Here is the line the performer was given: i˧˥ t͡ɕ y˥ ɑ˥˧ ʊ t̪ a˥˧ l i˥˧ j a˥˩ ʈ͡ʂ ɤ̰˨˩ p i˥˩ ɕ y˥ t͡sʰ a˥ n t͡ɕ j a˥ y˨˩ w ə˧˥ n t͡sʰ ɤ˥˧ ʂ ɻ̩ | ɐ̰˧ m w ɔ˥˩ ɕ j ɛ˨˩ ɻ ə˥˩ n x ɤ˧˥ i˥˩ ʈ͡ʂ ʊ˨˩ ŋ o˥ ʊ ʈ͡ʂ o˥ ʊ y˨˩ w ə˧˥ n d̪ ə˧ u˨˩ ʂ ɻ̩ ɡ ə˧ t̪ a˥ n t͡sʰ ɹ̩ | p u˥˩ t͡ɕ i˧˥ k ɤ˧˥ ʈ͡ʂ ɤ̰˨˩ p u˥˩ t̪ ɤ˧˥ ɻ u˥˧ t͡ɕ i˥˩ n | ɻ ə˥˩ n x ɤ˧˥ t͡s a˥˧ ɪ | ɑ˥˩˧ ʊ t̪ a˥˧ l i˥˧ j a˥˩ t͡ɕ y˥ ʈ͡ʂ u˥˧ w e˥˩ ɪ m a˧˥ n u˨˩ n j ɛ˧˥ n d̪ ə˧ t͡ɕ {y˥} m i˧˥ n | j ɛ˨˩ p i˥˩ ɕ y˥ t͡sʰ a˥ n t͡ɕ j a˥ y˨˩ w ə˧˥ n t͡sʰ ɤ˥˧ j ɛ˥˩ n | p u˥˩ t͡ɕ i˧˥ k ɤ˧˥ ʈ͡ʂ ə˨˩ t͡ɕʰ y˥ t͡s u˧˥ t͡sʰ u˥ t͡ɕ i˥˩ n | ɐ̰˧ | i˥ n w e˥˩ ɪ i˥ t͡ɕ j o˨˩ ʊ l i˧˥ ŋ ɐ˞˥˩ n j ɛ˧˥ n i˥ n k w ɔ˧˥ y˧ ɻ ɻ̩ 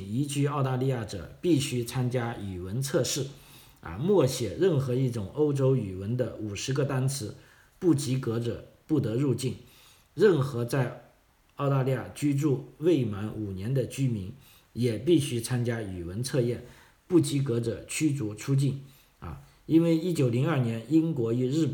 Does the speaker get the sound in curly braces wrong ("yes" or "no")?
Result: no